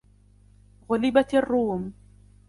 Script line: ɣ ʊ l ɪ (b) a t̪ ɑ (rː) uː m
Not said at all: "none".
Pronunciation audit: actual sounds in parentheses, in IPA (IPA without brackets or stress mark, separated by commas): b, rː